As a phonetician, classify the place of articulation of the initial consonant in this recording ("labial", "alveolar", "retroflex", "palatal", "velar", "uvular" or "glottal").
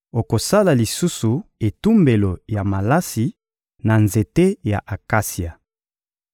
velar